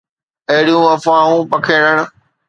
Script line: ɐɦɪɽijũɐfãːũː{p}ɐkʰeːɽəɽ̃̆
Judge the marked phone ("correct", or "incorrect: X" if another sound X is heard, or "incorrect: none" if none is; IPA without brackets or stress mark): correct